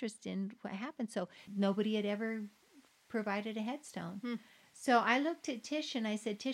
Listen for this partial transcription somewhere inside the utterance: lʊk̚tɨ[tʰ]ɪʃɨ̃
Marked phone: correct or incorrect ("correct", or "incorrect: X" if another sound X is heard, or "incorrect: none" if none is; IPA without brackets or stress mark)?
correct